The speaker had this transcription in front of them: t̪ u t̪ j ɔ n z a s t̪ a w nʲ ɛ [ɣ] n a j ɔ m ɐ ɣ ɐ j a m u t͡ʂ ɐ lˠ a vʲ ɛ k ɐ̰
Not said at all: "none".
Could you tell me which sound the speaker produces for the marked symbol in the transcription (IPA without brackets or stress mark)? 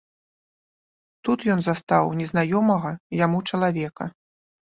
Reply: z